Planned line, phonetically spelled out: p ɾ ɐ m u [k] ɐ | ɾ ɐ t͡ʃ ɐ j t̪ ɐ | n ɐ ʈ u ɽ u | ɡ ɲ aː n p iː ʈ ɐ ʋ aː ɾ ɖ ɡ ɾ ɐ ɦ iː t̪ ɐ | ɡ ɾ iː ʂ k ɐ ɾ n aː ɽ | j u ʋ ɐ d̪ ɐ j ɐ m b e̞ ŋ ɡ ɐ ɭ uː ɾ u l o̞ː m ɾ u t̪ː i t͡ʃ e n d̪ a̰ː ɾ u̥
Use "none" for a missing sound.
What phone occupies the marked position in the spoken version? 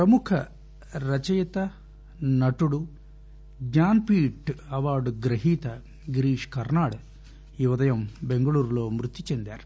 kʰ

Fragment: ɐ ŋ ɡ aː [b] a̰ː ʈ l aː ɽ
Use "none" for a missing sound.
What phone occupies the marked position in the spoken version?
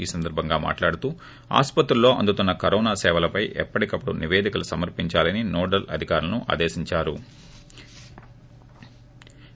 m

